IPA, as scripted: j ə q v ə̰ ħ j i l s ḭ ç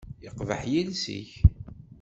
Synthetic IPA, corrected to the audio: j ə q v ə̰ ħ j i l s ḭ ç